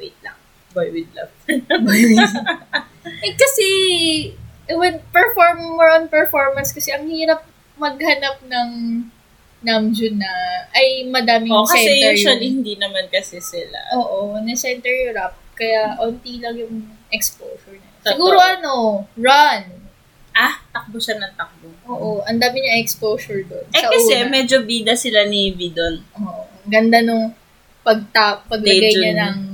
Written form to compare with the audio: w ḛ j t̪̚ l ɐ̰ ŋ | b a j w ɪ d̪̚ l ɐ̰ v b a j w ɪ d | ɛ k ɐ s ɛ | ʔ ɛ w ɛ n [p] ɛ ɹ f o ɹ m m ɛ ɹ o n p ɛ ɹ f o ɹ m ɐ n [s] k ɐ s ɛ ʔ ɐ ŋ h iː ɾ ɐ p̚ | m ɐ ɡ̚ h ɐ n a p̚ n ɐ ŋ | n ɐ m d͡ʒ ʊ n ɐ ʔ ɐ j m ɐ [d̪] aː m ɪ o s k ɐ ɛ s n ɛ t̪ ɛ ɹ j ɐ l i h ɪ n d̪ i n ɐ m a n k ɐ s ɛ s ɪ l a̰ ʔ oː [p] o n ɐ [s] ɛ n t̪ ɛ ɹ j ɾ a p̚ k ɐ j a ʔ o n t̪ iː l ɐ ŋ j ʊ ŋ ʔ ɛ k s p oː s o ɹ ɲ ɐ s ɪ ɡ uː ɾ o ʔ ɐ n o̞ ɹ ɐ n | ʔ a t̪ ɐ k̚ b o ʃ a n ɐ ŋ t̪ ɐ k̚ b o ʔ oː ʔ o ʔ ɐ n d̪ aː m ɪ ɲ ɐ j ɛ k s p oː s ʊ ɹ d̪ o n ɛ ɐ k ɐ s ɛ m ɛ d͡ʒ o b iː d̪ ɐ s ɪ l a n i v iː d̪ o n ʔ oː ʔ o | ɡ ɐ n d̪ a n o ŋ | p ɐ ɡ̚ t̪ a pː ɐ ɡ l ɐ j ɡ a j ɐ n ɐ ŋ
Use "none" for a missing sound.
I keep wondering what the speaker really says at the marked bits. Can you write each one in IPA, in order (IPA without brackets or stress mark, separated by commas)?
p, s, d̪, ʔ, s